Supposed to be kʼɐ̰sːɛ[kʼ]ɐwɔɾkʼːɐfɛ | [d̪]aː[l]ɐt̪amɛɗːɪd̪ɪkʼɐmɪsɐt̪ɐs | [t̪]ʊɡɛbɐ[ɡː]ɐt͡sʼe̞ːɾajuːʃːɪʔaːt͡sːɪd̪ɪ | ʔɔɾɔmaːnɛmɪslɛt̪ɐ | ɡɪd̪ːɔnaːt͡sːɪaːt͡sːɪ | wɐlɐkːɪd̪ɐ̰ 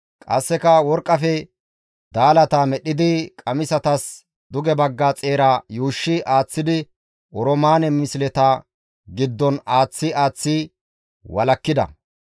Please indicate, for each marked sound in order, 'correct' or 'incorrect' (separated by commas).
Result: incorrect, correct, correct, incorrect, correct